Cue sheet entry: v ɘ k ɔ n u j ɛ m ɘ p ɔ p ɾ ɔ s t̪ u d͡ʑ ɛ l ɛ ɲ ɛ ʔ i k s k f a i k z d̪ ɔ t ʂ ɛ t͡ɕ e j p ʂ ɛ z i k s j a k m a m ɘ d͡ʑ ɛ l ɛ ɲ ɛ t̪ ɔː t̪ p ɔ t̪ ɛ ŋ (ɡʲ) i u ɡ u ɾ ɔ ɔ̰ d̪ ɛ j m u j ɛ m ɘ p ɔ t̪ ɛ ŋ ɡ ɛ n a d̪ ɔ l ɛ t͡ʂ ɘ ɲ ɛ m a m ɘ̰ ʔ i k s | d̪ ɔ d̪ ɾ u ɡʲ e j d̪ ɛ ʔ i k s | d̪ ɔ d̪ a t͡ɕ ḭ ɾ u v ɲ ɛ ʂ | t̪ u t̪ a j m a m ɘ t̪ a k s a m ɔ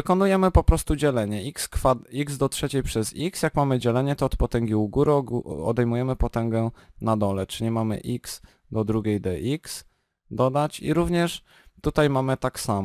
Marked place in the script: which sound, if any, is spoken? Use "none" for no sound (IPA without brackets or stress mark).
ɡʲ